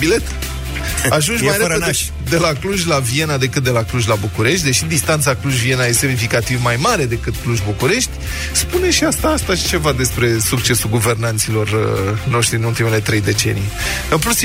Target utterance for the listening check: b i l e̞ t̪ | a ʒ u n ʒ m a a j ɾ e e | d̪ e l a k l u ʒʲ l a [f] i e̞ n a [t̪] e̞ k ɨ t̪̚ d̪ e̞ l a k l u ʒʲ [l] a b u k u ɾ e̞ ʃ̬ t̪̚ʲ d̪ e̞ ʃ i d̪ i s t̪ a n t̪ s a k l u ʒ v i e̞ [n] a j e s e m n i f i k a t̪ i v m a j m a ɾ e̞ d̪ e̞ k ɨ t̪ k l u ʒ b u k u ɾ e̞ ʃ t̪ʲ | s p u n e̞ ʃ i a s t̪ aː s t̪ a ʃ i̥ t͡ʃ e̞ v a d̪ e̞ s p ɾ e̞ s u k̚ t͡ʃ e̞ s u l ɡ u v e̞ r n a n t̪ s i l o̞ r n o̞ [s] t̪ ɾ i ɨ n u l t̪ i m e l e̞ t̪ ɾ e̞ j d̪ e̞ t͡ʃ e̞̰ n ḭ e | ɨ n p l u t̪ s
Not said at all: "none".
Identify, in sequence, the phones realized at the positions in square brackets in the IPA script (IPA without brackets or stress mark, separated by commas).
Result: v, d̪, l, n, ʃ